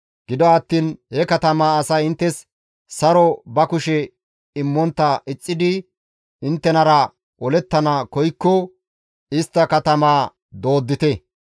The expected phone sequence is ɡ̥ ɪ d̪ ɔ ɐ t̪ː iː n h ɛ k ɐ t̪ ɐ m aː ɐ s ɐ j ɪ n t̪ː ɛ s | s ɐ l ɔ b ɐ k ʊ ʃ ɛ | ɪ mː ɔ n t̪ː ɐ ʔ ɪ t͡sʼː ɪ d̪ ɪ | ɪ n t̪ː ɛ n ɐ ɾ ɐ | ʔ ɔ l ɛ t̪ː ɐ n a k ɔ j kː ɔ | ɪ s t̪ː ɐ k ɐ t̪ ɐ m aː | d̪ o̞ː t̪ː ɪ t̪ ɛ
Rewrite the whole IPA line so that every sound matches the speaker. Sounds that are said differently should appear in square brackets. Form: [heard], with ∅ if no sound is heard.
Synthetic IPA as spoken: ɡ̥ ɪ d̪ ɔ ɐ t̪ː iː n h ɛ k ɐ t̪ ɐ m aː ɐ s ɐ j ɪ n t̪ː ɛ s | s ɐ [ɾ] ɔ b ɐ k ʊ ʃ ɛ | ɪ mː ɔ n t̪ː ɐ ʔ ɪ t͡sʼː ɪ d̪ ɪ | ɪ n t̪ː ɛ n ɐ ɾ ɐ | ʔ ɔ l ɛ t̪ː ɐ n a k ɔ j kː ɔ | ɪ s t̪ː ɐ k ɐ t̪ ɐ m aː | d̪ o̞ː [d̪ː] ɪ t̪ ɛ